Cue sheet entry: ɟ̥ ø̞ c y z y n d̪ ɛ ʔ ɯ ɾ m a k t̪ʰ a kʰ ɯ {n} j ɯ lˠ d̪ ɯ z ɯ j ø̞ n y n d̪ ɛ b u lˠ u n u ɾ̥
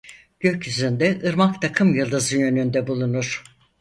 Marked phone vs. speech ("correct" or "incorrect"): incorrect